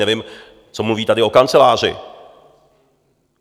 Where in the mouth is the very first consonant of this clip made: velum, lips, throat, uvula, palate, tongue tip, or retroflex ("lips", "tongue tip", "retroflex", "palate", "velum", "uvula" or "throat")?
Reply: lips